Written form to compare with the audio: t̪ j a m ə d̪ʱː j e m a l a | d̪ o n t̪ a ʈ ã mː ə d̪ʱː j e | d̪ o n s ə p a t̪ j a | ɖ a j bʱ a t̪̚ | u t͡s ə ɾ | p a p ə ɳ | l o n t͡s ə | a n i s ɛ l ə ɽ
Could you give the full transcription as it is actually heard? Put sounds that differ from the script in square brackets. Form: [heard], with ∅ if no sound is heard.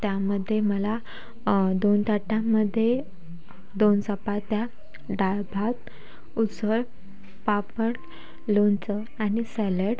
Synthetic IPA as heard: t̪ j a m ə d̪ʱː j e m [ə] l a | d̪ o n t̪ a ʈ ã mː ə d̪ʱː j e | d̪ o n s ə p a t̪ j a | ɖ a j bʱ a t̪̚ | u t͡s ə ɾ | p a p ə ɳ | l o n t͡s ə | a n i s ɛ l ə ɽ